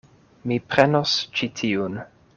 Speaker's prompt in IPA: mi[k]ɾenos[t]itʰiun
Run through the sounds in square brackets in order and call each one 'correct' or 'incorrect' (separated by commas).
incorrect, incorrect